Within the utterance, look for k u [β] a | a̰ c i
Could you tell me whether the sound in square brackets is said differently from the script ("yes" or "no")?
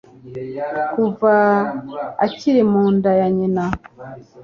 yes